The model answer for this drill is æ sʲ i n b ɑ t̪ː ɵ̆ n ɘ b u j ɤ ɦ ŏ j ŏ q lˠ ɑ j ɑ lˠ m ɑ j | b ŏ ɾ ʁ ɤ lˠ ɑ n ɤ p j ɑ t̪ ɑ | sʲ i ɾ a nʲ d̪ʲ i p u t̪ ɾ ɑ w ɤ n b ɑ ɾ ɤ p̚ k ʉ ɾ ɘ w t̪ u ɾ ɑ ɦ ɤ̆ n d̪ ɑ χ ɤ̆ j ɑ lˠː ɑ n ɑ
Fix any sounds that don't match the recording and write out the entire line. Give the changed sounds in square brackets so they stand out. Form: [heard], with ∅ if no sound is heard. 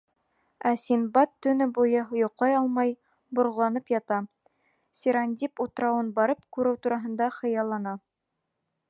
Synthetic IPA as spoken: æ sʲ i n b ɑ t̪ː ɵ̆ n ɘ b u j ɤ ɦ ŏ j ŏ q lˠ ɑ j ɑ lˠ m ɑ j | b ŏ ɾ ʁ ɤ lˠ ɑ n ɤ p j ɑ t̪ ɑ | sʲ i ɾ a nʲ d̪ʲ i p u t̪ ɾ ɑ w ɤ n b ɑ ɾ ɤ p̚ k ʉ ɾ ɘ w t̪ u ɾ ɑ ɦ ɤ̆ n d̪ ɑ χ ɤ̆ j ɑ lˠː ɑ n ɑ